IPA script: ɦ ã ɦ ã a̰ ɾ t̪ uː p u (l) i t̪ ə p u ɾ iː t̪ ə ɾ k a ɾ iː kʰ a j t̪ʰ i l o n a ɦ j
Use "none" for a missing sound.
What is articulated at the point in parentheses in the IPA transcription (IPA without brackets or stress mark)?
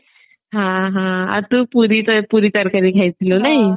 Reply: ɾ